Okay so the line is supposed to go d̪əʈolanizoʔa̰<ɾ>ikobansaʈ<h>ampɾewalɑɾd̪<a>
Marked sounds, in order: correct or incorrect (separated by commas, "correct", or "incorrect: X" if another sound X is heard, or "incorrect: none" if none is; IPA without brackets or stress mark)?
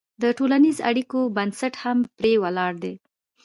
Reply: incorrect: ɽ, correct, incorrect: e